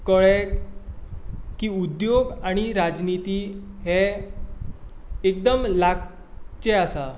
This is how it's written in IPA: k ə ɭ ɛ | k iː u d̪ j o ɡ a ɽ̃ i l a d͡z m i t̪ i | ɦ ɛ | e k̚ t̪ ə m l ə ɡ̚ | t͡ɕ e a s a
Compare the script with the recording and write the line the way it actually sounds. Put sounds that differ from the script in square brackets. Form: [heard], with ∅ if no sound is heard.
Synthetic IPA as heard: k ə ɭ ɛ | k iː u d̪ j o ɡ a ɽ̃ i [ɾ] a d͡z [n] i t̪ i | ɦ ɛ | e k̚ [d̪] ə m l [a] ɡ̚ | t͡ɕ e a s a